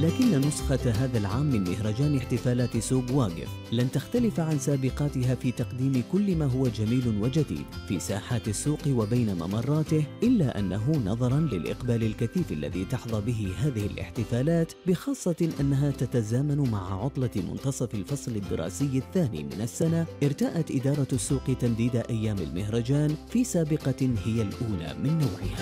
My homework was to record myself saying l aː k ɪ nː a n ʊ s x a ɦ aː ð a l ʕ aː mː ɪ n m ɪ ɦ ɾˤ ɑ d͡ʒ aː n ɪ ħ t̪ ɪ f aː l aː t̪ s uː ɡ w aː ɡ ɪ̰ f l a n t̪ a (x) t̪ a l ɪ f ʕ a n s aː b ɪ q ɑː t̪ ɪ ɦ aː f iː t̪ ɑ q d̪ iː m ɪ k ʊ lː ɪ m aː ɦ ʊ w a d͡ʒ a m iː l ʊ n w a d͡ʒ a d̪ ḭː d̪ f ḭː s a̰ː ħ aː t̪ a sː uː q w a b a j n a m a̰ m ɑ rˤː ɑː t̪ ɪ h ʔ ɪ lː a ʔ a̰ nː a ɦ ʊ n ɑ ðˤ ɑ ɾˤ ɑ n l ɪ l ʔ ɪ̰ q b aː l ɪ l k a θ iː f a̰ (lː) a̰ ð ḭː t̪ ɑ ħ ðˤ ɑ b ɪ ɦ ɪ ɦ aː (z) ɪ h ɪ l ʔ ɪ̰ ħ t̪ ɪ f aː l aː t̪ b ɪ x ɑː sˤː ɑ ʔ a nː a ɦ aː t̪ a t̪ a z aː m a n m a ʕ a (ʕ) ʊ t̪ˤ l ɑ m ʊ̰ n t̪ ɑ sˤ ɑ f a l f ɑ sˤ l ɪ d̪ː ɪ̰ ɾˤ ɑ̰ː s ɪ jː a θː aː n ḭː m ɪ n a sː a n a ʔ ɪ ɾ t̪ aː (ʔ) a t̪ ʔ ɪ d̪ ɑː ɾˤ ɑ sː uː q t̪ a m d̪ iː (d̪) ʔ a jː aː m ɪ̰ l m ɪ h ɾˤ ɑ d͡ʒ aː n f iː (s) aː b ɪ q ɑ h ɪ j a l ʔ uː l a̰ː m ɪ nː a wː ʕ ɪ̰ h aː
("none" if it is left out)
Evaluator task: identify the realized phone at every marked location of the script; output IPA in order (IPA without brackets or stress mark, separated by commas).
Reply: x, lː, ð, ʕ, ʔ, d̪, s